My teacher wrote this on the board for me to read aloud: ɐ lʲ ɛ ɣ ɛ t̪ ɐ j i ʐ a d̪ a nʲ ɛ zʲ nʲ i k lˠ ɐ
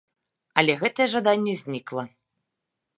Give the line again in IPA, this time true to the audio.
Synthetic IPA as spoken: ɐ lʲ ɛ ɣ ɛ t̪ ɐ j ɛ ʐ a d̪ a nʲː ɛ zʲ nʲ i k lˠ ɐ